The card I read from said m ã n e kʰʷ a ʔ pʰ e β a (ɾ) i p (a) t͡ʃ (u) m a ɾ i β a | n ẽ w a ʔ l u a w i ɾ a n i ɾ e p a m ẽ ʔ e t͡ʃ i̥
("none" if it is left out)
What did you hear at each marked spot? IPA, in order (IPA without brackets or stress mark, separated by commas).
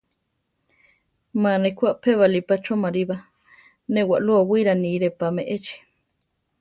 l, a, o